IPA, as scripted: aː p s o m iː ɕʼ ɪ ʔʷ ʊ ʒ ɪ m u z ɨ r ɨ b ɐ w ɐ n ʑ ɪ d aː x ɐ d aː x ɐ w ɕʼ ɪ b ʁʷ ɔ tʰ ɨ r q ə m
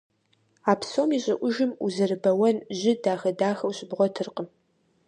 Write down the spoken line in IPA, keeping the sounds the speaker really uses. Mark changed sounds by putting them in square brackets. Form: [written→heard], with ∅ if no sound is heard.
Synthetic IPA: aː p s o m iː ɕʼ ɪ ʔʷ ʊ ʒ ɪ m u z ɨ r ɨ b ɐ w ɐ n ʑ ɪ d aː x ɐ d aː x ɐ w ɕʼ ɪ b ʁʷ ɔ tʰ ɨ r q ə m